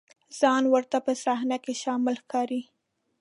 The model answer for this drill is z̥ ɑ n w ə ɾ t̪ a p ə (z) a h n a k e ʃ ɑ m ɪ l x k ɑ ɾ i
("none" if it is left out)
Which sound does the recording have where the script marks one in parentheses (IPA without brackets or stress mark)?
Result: s